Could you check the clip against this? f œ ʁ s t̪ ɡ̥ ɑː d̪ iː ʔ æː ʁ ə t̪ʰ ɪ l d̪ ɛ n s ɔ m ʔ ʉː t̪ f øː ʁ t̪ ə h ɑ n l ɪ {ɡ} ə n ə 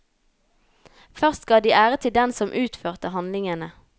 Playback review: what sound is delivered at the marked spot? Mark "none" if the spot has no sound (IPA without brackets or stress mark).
ŋ